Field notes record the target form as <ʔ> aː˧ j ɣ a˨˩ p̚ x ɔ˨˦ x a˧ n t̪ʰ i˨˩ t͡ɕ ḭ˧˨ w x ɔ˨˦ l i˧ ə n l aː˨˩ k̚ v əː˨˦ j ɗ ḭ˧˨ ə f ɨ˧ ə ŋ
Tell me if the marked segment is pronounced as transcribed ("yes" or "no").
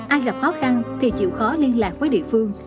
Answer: yes